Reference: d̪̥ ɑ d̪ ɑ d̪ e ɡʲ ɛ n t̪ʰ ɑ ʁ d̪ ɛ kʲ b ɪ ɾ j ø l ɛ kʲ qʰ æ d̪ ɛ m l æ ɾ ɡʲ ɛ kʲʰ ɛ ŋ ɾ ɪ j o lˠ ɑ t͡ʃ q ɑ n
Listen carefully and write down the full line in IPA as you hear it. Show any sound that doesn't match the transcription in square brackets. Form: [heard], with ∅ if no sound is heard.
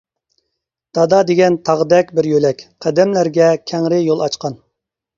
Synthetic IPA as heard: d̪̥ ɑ d̪ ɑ d̪ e ɡʲ ɛ n t̪ʰ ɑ ʁ d̪ ɛ kʲ b ɪ ɾ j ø l ɛ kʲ qʰ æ d̪ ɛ m l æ ɾ ɡʲ ɛ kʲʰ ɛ ŋ ɾ ɪ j o lˠ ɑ t͡ʃ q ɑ n